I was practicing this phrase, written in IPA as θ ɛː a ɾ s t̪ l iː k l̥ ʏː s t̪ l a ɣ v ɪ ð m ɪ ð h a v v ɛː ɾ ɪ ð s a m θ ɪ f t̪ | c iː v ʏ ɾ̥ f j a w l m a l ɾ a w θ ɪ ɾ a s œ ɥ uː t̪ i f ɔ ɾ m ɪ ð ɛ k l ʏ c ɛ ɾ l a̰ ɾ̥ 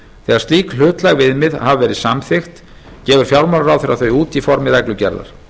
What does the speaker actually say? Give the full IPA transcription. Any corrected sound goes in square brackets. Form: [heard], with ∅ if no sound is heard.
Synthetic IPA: θ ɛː a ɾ s t̪ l iː k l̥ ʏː [∅] t̪ l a ɣ v ɪ ð m ɪ ð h a v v ɛː ɾ ɪ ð s a m θ ɪ [x] t̪ | c [ɛː] v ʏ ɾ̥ f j a w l m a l ɾ a w θ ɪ ɾ a [θ] œ ɥ uː t̪ i f ɔ ɾ m ɪ ð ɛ k l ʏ c ɛ ɾ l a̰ ɾ̥